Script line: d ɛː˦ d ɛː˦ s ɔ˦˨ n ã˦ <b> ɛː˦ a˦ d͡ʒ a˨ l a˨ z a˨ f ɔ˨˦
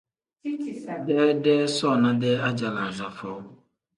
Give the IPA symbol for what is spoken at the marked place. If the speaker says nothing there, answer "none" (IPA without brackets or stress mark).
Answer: d